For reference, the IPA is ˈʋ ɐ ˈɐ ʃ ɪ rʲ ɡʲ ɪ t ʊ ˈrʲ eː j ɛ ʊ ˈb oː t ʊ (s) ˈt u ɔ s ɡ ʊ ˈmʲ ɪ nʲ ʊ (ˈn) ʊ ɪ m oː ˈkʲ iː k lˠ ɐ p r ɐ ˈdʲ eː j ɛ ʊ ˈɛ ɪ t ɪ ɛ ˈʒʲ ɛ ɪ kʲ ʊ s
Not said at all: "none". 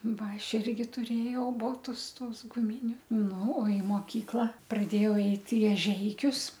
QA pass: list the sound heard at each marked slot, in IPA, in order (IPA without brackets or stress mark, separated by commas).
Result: s, n